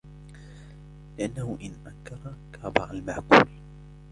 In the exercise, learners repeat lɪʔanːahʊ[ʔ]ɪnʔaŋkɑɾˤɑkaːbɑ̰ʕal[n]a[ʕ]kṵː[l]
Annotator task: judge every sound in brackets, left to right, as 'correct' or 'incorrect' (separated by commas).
correct, incorrect, correct, correct